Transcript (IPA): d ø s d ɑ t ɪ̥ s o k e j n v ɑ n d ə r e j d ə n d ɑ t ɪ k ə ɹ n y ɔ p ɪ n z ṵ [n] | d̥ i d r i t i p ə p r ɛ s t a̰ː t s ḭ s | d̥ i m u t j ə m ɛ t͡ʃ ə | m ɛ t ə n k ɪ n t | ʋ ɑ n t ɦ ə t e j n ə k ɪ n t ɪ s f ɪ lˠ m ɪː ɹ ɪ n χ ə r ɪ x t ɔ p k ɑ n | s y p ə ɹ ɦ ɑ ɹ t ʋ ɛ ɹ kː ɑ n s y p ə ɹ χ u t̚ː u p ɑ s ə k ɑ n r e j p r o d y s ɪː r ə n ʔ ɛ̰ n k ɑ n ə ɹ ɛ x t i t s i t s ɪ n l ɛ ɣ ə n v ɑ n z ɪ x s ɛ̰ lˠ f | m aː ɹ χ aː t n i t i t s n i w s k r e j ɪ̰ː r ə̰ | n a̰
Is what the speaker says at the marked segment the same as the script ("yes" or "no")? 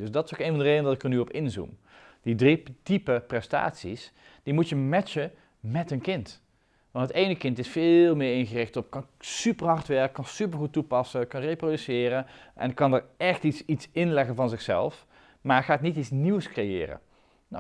no